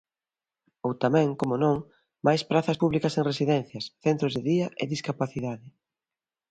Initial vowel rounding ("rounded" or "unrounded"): rounded